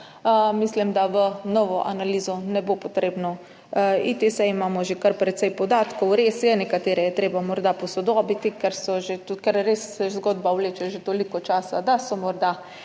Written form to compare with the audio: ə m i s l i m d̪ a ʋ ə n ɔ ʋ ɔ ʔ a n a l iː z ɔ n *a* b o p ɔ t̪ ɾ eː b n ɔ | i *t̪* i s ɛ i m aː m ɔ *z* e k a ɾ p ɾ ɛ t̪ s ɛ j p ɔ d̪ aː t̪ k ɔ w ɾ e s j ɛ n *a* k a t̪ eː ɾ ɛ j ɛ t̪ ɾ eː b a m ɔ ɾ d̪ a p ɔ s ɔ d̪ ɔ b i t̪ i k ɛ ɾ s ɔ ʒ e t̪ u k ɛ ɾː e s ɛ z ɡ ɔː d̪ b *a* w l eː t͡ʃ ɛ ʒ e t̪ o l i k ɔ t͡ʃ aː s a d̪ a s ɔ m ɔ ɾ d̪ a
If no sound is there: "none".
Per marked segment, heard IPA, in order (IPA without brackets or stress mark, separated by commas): ɛ, t̪, ʒ, ɛ, a